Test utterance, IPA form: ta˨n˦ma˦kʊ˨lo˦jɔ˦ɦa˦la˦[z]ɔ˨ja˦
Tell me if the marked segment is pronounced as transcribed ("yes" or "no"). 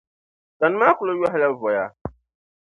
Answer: no